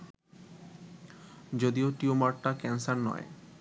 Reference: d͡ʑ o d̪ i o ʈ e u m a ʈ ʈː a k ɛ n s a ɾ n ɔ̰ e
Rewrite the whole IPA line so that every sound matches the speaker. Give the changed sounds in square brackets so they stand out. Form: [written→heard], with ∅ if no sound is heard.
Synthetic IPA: d͡ʑ o d̪ i o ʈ [e→i] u m a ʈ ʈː a k ɛ n s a ɾ n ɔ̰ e